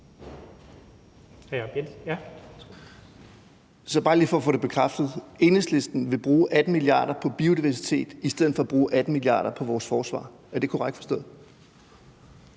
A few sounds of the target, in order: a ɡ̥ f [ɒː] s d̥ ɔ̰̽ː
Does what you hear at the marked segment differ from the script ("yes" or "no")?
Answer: yes